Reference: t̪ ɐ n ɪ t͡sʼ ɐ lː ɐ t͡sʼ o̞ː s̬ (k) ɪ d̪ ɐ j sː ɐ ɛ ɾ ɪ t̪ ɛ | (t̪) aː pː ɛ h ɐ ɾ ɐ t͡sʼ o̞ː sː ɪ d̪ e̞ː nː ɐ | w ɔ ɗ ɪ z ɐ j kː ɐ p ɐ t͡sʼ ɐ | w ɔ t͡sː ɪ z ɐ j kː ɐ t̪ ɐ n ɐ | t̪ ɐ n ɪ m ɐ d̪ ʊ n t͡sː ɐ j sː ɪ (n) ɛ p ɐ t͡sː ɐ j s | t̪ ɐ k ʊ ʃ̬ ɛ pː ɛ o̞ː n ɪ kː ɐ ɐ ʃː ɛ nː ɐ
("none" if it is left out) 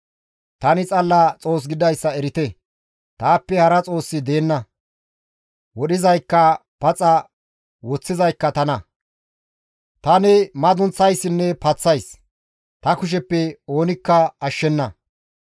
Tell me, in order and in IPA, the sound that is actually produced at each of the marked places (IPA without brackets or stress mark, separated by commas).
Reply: ɡ, t̪, nː